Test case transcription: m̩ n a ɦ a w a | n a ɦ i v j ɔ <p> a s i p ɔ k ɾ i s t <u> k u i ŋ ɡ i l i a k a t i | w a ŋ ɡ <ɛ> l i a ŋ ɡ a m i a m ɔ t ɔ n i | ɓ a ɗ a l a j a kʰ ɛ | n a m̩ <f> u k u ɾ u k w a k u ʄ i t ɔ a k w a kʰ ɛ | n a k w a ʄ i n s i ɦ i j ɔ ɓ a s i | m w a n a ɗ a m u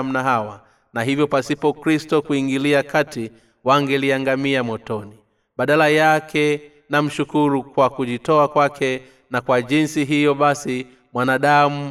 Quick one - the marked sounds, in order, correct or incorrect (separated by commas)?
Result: correct, incorrect, correct, incorrect